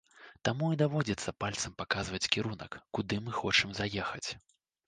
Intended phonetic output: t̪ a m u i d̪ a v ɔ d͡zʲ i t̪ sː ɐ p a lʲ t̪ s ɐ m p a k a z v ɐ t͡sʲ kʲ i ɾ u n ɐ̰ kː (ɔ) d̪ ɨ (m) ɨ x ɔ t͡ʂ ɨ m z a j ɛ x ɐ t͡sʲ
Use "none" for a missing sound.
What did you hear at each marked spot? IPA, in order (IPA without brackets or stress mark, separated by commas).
u, m